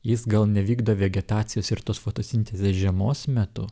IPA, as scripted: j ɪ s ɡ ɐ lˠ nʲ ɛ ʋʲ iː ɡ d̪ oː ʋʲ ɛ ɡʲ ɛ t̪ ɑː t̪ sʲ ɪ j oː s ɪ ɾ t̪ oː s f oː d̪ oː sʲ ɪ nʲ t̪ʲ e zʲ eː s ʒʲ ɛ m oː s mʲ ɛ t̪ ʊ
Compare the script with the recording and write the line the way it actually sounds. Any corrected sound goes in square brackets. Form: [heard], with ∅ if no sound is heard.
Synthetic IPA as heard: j ɪ s ɡ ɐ lˠ nʲ ɛ ʋʲ iː ɡ d̪ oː ʋʲ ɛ ɡʲ ɛ t̪ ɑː t̪ sʲ ɪ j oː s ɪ ɾ t̪ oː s f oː [t̪] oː sʲ ɪ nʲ t̪ʲ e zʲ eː s ʒʲ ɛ m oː s mʲ ɛ t̪ ʊ